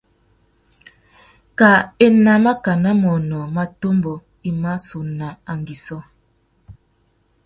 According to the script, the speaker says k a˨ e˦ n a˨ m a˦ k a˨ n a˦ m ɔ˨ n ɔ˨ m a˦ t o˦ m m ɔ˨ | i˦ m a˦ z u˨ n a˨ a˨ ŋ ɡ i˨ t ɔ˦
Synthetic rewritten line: k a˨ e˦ n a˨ m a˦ k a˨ n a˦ m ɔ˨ n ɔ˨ m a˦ t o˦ m b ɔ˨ | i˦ m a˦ s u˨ n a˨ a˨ ŋ ɡ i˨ s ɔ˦